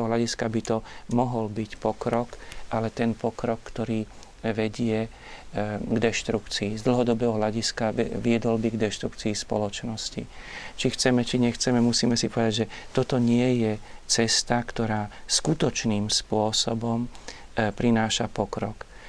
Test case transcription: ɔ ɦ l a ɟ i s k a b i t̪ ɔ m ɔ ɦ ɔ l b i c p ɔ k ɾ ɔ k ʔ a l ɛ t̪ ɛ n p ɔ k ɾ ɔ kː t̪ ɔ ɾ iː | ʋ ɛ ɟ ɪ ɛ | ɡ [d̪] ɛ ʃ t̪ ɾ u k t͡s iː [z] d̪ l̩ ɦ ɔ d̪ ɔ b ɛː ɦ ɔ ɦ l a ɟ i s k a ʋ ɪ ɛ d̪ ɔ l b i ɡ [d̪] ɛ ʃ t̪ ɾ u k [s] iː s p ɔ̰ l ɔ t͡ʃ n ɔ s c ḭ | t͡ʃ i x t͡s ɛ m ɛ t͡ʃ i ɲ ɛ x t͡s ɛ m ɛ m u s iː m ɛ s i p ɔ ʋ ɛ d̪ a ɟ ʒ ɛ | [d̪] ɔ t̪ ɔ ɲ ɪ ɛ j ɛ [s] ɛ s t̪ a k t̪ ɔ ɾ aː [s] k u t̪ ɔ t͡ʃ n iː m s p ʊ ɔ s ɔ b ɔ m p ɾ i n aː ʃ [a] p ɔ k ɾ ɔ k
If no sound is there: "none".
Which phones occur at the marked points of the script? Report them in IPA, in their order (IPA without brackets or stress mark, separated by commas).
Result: d̪, z, d̪, t͡s, t̪, t͡s, s, a